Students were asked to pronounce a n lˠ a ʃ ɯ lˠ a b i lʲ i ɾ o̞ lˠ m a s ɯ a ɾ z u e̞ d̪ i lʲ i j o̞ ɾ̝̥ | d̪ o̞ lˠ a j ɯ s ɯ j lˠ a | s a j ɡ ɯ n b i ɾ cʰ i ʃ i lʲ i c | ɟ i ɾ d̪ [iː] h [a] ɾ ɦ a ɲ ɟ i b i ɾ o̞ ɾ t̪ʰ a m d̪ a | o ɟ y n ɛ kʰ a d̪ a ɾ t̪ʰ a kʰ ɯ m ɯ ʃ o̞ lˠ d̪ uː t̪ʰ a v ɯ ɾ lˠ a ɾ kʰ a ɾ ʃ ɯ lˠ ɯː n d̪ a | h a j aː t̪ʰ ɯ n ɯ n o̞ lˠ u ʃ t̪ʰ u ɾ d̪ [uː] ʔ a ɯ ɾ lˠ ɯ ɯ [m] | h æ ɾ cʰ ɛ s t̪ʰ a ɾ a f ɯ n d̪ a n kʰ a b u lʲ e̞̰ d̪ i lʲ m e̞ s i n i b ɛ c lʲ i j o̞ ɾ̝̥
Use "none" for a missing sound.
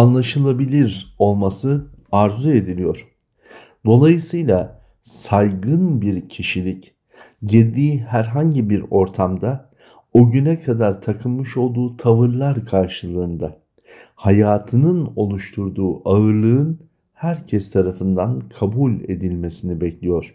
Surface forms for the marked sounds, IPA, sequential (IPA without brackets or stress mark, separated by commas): iː, æ, uː, n